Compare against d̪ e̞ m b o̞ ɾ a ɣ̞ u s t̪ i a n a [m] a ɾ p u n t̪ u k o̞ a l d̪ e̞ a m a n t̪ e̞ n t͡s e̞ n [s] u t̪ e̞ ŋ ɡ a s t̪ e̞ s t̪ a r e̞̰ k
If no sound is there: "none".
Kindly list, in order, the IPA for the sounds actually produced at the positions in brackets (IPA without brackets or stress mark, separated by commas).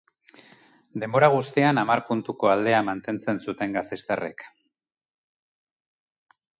m, s